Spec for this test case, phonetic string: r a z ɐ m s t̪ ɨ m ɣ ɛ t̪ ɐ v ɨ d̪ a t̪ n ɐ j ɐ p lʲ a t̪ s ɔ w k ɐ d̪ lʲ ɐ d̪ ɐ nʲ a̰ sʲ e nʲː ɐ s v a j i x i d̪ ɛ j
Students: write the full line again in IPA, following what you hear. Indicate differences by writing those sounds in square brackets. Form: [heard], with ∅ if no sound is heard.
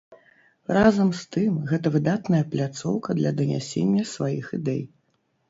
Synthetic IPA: r a z ɐ m s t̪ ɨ m ɣ ɛ t̪ ɐ v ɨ d̪ a t̪ n ɐ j ɐ p lʲ a t̪ s ɔ w k ɐ d̪ lʲ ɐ d̪ ɐ nʲ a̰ sʲ e nʲː ɐ s v a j i x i d̪ ɛ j

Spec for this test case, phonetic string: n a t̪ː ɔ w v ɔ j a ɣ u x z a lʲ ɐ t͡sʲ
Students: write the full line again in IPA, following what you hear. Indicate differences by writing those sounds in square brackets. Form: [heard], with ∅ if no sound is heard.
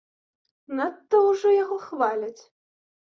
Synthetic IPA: n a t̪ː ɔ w [ʐ] ɔ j a ɣ [ɔ] x [v] a lʲ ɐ t͡sʲ

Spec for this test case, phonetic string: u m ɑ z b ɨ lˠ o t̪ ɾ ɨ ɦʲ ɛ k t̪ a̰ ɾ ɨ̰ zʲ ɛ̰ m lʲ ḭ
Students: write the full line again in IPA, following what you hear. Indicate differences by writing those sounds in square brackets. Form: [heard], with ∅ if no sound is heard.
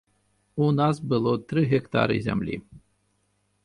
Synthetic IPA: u [n] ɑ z b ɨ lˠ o t̪ ɾ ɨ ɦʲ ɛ k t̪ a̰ ɾ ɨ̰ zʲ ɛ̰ m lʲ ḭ

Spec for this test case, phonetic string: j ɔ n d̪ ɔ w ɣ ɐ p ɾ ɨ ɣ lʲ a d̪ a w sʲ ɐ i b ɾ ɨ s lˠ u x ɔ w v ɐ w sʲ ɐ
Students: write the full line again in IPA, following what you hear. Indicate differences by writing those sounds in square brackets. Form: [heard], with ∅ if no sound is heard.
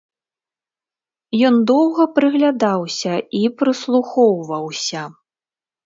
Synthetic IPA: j ɔ n d̪ ɔ w ɣ ɐ p ɾ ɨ ɣ lʲ a d̪ a w sʲ ɐ i [p] ɾ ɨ s lˠ u x ɔ w v ɐ w sʲ ɐ

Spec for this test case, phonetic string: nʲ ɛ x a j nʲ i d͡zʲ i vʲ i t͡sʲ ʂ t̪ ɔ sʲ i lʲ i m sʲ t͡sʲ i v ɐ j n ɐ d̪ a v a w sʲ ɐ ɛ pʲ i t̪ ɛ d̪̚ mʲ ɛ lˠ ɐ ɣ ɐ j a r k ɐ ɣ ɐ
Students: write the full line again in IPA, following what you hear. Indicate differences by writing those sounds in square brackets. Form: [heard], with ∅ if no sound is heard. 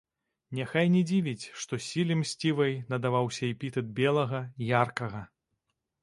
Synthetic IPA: nʲ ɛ x a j nʲ [ɛ] d͡zʲ i vʲ i t͡sʲ ʂ t̪ ɔ sʲ i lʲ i m sʲ t͡sʲ i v ɐ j n ɐ d̪ a v a w sʲ ɐ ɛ pʲ i t̪ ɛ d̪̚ [bʲ] ɛ lˠ ɐ ɣ ɐ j a r k ɐ ɣ ɐ

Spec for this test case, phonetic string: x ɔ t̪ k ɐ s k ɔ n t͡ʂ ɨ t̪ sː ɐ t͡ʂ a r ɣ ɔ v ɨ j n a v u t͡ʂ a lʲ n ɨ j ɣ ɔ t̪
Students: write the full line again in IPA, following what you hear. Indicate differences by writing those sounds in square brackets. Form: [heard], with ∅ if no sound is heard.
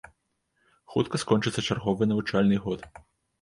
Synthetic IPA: x [u] t̪ k ɐ s k ɔ n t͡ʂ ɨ t̪ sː ɐ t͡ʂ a r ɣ ɔ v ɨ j n [ɐ] v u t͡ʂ a lʲ n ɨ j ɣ ɔ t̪

